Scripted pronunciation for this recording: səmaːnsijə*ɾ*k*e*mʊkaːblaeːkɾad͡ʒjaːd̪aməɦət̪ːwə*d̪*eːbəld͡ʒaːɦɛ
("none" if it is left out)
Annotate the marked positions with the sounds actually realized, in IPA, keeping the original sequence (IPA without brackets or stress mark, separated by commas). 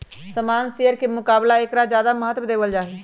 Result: ɾ, e, d̪